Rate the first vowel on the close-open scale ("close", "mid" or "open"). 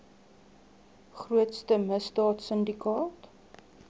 close